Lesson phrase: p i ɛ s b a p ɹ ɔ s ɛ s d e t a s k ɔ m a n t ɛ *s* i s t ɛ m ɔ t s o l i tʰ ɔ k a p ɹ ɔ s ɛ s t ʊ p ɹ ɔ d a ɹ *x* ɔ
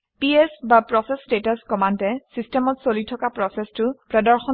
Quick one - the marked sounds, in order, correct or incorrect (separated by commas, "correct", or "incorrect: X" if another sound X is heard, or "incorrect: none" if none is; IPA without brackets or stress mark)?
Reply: correct, correct